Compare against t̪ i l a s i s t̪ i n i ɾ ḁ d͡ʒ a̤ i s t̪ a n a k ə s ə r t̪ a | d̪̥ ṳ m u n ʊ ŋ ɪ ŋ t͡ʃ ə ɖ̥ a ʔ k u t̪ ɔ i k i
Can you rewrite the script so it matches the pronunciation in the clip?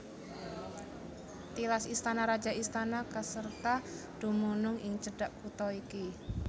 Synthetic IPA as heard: t̪ i l a s i s t̪ a n a ɾ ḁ d͡ʒ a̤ i s t̪ a n a k ə s ə r t̪ a | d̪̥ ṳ m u n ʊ ŋ ɪ ŋ t͡ʃ ə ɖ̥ a ʔ k u t̪ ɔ i k i